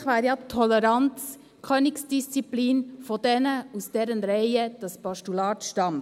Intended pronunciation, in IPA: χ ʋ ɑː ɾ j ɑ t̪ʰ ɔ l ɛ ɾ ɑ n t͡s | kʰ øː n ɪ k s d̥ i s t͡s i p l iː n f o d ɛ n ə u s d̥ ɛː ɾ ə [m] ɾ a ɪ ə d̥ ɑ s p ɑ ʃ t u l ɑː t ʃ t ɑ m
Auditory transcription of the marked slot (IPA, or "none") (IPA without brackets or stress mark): n